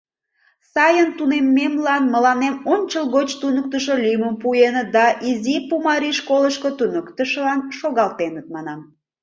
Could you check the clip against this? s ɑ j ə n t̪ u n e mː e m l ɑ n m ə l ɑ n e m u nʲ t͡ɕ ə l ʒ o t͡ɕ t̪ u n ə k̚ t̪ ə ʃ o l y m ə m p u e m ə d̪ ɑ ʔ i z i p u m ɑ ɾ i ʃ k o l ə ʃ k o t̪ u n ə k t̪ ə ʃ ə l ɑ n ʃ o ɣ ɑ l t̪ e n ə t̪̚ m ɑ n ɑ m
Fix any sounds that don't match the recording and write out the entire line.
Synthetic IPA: s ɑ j ə n t̪ u n e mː e m l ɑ n m ə l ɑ n e m o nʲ t͡ɕ ə l ɣ o t͡ɕ t̪ u n ə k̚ t̪ ə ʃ o l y m ə m p u e n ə d̪ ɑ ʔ i z i p u m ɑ ɾ i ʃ k o l ə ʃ k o t̪ u n ə k t̪ ə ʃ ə l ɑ n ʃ o ɣ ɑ l t̪ e n ə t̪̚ m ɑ n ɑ m